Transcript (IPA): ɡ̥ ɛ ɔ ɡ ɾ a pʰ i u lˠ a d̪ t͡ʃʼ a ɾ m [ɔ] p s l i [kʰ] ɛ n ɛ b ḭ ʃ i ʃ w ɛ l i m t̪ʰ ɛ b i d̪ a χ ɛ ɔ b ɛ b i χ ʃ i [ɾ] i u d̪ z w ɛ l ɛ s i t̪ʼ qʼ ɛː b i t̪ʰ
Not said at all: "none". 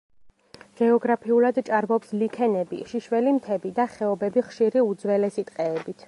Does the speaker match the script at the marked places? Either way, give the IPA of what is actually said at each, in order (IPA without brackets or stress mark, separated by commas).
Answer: ɔ, kʰ, ɾ